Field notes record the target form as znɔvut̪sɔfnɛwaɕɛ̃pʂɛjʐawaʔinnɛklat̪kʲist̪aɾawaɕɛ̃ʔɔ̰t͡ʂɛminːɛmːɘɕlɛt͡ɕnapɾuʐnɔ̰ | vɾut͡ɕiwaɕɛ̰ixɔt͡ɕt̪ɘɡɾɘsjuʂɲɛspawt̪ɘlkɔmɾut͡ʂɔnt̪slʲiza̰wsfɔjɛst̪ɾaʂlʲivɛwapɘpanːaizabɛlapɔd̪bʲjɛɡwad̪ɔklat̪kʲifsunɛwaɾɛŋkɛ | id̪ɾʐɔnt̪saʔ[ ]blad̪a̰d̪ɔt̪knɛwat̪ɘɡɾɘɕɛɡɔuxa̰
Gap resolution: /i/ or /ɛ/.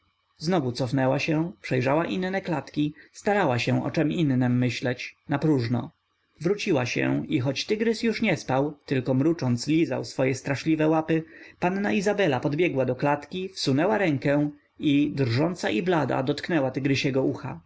i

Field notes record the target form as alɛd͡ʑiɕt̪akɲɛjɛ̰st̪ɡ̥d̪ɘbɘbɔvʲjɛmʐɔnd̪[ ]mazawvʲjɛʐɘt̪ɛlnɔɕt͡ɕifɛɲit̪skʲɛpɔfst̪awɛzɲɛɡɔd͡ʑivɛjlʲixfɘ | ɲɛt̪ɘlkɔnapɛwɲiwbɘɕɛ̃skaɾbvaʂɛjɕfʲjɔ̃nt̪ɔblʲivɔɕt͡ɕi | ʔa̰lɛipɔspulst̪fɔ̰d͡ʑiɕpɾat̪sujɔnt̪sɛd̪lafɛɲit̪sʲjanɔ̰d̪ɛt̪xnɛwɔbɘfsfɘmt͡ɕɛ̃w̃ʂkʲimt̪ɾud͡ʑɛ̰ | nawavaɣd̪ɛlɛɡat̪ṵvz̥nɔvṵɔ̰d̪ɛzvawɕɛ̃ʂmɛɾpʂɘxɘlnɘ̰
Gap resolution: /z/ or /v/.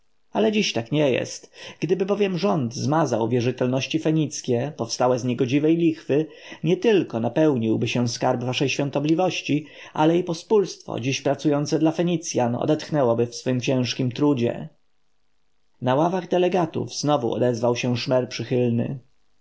z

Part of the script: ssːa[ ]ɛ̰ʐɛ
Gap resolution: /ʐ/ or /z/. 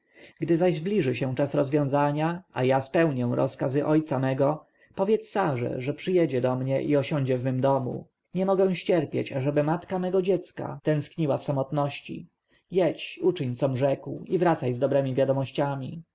ʐ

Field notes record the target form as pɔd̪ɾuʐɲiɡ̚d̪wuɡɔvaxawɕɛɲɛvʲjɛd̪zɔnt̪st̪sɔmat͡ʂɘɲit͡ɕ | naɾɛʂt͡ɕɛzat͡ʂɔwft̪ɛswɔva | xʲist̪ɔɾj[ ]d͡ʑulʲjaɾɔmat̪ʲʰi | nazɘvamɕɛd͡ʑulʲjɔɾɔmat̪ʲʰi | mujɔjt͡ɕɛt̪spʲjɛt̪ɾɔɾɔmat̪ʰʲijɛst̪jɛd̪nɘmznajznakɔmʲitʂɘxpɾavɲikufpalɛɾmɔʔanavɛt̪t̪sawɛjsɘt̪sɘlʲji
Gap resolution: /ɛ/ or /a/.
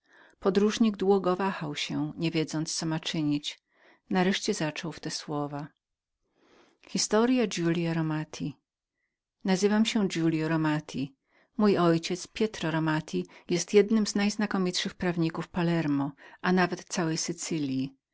a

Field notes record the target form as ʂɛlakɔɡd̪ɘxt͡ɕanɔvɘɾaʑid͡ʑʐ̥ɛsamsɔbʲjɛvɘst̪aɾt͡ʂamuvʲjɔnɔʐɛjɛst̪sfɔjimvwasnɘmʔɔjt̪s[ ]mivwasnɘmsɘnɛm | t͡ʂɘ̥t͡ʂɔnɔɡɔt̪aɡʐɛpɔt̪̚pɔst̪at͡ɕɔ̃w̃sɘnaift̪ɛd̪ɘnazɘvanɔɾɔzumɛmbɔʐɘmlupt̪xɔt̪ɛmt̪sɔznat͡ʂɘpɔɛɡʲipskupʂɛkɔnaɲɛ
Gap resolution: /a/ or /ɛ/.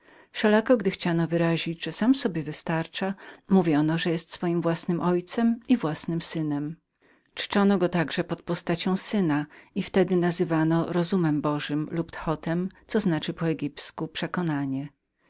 ɛ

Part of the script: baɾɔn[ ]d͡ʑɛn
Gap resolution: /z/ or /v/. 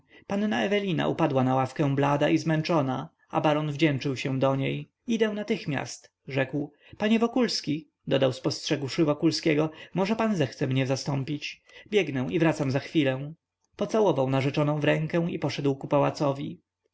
v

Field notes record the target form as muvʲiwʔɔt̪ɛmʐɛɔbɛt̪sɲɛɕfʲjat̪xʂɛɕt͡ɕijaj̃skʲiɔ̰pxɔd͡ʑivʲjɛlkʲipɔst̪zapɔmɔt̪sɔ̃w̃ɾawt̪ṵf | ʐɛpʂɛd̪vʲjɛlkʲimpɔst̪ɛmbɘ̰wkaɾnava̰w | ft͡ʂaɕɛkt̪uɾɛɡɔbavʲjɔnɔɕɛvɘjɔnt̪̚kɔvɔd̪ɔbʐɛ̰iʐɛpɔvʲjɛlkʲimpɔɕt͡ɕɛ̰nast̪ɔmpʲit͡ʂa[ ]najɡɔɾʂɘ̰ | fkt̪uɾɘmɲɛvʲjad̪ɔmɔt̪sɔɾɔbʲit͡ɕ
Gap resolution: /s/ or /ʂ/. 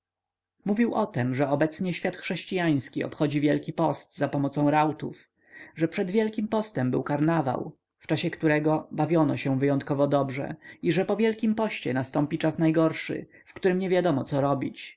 s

